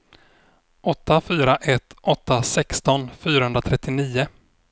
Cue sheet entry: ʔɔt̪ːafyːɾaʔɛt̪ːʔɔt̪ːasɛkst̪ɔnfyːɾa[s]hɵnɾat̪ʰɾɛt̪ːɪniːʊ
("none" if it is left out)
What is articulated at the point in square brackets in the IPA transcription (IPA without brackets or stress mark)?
none